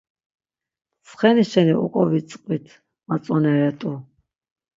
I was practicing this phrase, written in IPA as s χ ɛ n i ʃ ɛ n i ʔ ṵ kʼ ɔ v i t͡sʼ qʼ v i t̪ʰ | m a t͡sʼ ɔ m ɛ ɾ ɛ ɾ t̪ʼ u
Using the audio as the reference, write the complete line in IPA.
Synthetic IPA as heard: s χ ɛ n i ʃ ɛ n i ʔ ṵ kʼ ɔ v i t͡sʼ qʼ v i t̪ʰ | m a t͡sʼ ɔ n ɛ ɾ ɛ t̪ʼ u